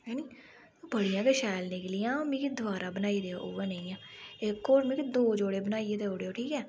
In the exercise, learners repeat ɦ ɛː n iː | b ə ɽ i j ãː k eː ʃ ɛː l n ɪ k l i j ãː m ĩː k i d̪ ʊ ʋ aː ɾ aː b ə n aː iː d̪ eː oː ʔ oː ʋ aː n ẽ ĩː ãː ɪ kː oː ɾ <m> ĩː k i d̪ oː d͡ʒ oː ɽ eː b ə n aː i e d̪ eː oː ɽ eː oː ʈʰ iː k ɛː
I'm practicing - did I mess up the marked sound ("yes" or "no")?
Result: no